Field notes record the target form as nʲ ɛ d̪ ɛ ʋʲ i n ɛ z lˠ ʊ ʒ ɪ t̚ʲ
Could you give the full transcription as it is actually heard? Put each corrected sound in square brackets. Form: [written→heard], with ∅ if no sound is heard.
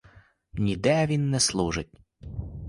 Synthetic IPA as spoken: nʲ [ɛ→i] d̪ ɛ ʋʲ i [n→nː] ɛ [z→s] lˠ [ʊ→u] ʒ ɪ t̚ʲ